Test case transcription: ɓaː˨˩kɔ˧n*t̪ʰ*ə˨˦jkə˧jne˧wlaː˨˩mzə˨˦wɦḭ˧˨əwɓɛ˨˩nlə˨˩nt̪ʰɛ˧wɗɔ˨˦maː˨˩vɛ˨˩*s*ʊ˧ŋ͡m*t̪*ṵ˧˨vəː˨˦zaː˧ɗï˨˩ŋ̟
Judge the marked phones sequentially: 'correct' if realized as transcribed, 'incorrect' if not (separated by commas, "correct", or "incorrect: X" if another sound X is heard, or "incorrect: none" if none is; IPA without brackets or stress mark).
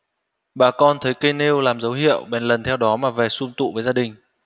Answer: correct, correct, correct